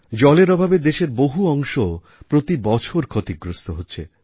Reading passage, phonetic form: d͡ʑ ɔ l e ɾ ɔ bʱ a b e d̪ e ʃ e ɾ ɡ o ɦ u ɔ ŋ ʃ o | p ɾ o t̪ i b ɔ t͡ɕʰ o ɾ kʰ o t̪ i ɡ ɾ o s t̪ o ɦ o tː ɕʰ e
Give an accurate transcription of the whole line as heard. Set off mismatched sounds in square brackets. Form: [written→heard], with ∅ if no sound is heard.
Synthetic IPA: d͡ʑ ɔ l e ɾ ɔ bʱ a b e d̪ e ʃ e ɾ [ɡ→b] o ɦ u ɔ ŋ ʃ o | p ɾ o t̪ i b ɔ t͡ɕʰ o ɾ kʰ o t̪ i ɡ ɾ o s t̪ o ɦ o tː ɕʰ e